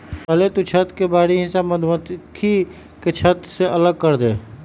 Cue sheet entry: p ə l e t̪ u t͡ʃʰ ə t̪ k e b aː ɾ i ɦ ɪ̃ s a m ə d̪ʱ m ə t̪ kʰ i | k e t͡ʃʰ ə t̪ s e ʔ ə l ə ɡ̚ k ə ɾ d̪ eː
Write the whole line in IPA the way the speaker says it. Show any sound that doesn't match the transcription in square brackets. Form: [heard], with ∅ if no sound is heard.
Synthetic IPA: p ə l e t̪ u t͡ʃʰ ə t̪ k e b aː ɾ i ɦ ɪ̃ s a m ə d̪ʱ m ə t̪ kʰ i | k e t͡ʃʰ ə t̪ s e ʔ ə l ə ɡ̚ k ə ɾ d̪ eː